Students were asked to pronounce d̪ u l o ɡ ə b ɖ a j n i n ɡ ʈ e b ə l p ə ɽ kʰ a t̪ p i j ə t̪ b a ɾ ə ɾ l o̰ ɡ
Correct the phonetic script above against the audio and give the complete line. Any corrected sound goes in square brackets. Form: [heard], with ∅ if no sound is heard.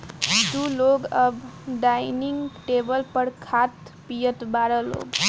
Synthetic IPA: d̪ u l o ɡ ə b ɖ a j n i [ŋ] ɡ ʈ e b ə l p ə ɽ kʰ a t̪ p i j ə t̪ b a ɾ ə [∅] l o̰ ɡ